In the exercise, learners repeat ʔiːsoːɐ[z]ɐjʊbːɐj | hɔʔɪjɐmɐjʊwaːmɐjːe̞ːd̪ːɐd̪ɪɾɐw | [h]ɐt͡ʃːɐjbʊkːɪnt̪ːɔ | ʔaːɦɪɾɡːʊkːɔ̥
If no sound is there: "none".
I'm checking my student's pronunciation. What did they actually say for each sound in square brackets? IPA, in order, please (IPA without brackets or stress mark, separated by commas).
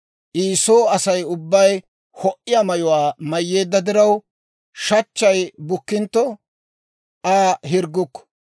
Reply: s, ʃ